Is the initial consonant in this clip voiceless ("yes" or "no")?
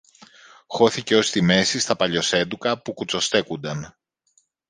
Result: yes